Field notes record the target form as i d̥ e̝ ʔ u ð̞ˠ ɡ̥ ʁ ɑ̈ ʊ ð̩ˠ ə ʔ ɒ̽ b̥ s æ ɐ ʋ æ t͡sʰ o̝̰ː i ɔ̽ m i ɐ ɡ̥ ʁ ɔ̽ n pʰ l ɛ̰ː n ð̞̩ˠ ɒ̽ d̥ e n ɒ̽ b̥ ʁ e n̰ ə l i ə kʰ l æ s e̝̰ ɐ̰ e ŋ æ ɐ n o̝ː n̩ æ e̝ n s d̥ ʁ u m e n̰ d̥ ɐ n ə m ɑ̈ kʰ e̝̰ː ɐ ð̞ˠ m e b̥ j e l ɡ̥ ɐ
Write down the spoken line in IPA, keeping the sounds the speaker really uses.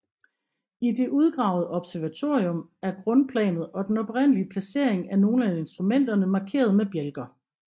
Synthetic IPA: i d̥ e̝ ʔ u ð̞ˠ ɡ̥ ʁ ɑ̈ ʊ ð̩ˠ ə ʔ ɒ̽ b̥ s æ ɐ ʋ æ t͡sʰ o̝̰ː i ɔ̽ m æ ɐ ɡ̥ ʁ ɔ̽ n pʰ l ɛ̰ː n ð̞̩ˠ ɒ̽ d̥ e n ɒ̽ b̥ ʁ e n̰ ə l i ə pʰ l æ s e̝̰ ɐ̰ e ŋ æ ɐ n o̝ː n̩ æ e̝ n s d̥ ʁ u m e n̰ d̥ ɐ n ə m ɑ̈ kʰ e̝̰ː ɐ ð̞ˠ m e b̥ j e l ɡ̥ ɐ